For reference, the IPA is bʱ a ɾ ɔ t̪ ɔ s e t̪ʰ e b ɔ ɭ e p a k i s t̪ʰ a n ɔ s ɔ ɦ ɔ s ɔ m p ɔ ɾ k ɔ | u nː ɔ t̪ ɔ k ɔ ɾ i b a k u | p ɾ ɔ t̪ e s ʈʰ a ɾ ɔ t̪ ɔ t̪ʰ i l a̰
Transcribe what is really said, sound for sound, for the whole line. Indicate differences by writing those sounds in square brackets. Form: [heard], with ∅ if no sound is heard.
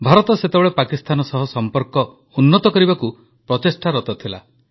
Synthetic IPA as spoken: bʱ a ɾ ɔ t̪ ɔ s e [t̪] e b ɔ ɭ e p a k i s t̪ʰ a n ɔ s ɔ ɦ ɔ s ɔ m p ɔ ɾ k ɔ | u nː ɔ t̪ ɔ k ɔ ɾ i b a k u | p ɾ ɔ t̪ e s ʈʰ a ɾ ɔ t̪ ɔ t̪ʰ i l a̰

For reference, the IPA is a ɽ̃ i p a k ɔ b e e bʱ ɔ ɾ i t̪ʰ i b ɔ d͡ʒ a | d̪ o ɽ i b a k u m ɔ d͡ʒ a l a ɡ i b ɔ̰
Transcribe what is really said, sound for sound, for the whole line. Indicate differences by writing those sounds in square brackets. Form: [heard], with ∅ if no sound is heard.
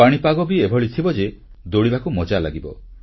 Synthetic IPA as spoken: a ɽ̃ i p a [ɡ] ɔ b [i] e bʱ ɔ [ɭ] i t̪ʰ i b ɔ d͡ʒ [e] | d̪ o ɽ i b a k u m ɔ d͡ʒ a l a ɡ i b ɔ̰

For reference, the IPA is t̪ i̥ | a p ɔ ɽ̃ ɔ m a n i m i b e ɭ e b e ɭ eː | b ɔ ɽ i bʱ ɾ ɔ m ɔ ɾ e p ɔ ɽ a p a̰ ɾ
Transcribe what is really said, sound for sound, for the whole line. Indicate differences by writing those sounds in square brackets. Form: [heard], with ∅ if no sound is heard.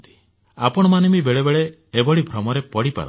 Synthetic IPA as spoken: t̪ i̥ | a p ɔ ɽ̃ ɔ m a n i m i b e ɭ e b e ɭ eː | b ɔ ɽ i bʱ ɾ ɔ m ɔ ɾ e p ɔ ɽ [i] p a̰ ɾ

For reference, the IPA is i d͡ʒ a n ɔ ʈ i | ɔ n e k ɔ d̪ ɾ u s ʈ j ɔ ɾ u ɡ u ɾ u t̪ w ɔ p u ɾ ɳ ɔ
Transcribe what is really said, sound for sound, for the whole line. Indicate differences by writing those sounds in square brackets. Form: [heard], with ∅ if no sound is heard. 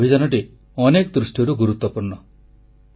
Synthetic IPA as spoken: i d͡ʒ a n ɔ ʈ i | ɔ n e k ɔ d̪ ɾ u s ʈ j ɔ ɾ u ɡ u ɾ u t̪ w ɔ p u ɾ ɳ ɔ

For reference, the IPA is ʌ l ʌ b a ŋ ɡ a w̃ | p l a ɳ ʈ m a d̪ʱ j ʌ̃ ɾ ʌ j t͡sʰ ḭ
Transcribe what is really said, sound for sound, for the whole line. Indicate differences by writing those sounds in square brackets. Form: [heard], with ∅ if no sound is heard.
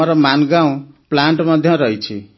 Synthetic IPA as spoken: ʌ [ɾ] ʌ [m] a [n] ɡ a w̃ | p l a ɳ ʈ m [ʌ] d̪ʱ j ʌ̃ ɾ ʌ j t͡sʰ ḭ

